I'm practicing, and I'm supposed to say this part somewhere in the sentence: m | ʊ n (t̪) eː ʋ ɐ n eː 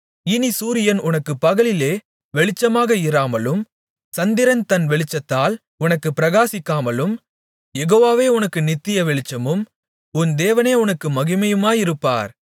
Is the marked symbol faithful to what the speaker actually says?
no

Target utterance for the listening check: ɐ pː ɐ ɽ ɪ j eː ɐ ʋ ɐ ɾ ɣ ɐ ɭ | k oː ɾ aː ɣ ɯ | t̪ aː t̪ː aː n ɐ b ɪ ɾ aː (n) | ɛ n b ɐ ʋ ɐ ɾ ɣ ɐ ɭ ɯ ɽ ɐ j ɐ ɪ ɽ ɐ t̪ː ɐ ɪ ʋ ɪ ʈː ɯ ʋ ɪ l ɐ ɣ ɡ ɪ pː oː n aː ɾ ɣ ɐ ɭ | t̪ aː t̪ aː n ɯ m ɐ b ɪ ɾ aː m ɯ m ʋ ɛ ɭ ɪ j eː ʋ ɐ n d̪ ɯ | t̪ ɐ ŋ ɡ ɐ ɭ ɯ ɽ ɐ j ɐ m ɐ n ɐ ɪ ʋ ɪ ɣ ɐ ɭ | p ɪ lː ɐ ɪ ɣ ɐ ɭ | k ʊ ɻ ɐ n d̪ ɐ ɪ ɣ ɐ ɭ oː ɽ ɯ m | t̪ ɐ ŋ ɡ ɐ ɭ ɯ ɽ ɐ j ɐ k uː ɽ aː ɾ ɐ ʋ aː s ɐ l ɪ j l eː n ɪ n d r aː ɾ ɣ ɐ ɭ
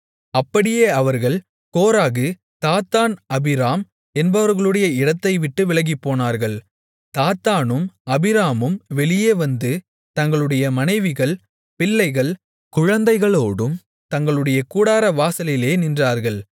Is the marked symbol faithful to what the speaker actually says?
no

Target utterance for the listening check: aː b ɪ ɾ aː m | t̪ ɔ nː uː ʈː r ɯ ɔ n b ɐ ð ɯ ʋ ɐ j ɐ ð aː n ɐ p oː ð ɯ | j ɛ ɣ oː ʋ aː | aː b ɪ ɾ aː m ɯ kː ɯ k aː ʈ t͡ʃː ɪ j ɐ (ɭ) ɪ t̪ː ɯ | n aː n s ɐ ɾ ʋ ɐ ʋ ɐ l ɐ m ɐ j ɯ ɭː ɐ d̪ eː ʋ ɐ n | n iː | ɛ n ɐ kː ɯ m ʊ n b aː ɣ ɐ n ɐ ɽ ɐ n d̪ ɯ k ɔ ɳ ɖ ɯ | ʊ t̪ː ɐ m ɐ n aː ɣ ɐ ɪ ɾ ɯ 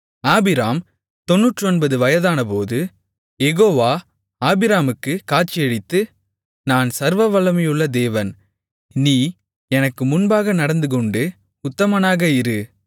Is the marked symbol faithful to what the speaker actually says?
no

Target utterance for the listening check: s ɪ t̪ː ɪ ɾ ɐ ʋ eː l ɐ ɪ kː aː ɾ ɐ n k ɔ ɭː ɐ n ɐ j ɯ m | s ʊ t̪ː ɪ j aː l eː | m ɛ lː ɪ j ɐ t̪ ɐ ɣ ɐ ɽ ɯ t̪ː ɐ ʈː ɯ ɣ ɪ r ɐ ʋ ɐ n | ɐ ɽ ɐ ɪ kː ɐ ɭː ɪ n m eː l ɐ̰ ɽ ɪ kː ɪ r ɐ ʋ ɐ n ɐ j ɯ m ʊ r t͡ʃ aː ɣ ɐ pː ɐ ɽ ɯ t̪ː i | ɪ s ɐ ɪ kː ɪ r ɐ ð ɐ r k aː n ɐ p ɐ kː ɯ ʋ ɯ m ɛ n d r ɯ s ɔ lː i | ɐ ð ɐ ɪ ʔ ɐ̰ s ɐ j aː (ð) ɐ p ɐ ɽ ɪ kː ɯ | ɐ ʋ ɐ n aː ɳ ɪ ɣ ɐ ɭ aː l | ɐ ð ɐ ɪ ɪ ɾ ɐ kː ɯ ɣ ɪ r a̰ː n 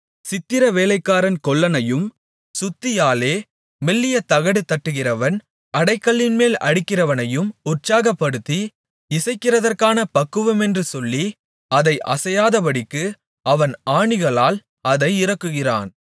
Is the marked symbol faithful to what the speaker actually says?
yes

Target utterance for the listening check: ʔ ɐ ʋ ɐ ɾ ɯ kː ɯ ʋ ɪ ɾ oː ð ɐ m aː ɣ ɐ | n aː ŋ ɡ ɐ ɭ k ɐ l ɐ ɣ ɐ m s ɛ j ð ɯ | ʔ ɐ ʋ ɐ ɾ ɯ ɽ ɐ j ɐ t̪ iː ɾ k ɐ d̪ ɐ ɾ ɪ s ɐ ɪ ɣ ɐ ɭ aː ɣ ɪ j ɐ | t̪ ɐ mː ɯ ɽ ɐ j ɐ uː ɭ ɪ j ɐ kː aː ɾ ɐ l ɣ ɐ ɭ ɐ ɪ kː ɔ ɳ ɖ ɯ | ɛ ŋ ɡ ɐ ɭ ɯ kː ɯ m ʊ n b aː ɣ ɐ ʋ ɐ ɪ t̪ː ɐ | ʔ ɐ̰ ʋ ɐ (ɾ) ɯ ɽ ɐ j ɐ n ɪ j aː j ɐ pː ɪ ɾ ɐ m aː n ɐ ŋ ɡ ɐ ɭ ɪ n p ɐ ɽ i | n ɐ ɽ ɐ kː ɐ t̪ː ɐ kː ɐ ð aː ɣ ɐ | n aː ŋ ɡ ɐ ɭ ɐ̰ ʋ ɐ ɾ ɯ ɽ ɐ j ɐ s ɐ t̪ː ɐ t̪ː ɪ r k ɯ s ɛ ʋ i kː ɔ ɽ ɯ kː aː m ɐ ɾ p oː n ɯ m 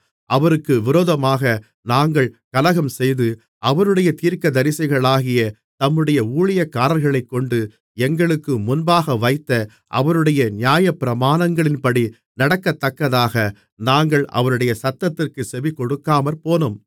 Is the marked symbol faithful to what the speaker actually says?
yes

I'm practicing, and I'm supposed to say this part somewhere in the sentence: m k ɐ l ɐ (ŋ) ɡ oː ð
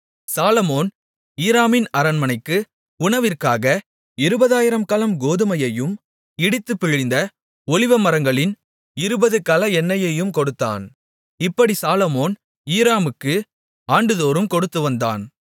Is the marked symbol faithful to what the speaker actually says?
no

